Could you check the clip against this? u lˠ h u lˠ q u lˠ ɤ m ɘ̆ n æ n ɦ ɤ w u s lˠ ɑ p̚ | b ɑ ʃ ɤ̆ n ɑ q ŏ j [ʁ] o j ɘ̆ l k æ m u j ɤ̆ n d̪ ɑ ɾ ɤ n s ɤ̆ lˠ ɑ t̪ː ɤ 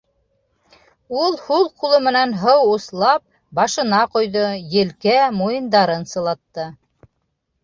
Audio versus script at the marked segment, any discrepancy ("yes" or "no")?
yes